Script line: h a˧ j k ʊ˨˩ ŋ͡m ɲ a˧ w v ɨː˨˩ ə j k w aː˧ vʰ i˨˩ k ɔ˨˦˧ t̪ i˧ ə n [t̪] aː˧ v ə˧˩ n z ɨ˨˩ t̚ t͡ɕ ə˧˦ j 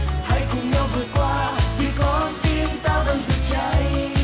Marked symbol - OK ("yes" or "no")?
yes